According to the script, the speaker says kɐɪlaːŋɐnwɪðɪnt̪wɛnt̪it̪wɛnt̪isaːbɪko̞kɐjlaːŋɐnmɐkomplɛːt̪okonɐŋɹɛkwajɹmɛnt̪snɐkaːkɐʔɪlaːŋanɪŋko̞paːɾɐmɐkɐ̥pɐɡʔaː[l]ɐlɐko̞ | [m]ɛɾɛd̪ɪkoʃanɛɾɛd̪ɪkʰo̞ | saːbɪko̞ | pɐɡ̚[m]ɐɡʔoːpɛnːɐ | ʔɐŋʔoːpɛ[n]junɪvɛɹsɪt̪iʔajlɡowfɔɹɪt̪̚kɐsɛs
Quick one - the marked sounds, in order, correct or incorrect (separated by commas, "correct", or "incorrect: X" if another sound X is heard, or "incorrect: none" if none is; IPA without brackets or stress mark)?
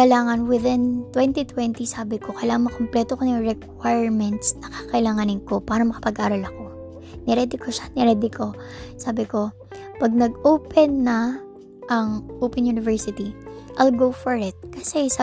incorrect: ɾ, incorrect: n, incorrect: n, correct